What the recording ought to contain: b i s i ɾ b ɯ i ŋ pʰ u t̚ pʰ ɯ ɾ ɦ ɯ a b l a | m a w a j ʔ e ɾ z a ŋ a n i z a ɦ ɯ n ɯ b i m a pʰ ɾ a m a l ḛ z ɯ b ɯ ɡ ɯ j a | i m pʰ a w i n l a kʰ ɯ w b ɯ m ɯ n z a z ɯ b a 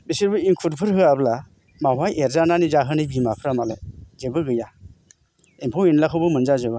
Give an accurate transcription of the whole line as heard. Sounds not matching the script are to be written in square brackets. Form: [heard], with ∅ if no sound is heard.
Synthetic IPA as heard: b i s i ɾ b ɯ i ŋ [kʰ] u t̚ pʰ ɯ ɾ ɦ ɯ a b l a | m a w a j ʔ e ɾ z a [n] a n i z a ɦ ɯ n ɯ b i m a pʰ ɾ a m a l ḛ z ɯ b ɯ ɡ ɯ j a | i m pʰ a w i n l a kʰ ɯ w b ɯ m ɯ n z a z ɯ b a